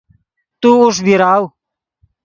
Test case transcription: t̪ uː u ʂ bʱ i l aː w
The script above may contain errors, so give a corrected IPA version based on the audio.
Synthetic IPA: t̪ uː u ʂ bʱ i ɾ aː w